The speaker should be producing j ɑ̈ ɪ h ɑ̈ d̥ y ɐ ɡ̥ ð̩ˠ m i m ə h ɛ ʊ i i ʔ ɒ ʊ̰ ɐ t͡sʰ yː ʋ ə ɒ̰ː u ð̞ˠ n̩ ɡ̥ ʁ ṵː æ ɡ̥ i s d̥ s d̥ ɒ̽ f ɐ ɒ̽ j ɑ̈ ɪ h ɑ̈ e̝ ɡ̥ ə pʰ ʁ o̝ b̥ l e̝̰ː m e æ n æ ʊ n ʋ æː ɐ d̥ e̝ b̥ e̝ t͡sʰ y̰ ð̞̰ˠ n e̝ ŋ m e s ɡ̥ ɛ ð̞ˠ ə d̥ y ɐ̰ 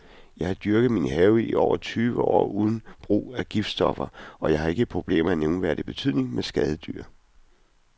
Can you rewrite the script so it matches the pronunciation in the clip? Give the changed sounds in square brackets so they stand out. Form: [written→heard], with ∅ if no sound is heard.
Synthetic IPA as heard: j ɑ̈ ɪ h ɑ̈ d̥ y ɐ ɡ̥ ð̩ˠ m i [m→n] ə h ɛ ʊ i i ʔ ɒ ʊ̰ ɐ t͡sʰ yː ʋ ə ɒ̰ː u ð̞ˠ n̩ [ɡ̥→b̥] ʁ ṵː æ ɡ̥ i [s→f] d̥ s d̥ ɒ̽ f ɐ ɒ̽ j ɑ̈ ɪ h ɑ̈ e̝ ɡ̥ ə pʰ ʁ o̝ b̥ l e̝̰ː m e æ n [æ→e] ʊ n ʋ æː ɐ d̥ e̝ b̥ e̝ t͡sʰ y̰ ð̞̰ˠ n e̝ ŋ m e s ɡ̥ ɛ ð̞ˠ ə d̥ y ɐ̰